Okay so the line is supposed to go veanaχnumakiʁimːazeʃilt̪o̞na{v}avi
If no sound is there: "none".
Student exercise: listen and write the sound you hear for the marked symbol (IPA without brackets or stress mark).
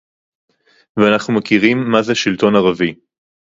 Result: ʁ